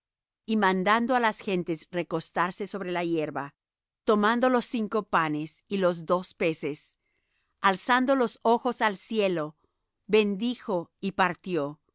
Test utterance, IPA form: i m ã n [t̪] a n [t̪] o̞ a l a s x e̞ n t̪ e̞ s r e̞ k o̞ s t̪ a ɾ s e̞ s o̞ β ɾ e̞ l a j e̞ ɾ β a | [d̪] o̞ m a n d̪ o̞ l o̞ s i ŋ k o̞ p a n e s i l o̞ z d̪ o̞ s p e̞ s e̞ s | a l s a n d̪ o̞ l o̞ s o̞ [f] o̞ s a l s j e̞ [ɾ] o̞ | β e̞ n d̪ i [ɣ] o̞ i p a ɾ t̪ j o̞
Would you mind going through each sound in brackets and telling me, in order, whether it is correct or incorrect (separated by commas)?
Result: incorrect, incorrect, incorrect, incorrect, incorrect, incorrect